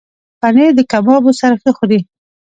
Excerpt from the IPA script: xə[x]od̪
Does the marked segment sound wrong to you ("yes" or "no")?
no